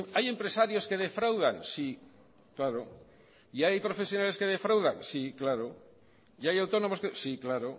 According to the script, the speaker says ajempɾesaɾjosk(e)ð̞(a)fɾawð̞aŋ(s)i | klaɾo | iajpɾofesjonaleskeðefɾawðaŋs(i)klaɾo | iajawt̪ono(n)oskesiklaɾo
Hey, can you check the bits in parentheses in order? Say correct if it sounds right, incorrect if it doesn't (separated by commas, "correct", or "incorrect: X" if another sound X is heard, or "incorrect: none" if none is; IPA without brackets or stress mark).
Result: correct, incorrect: e, correct, correct, incorrect: m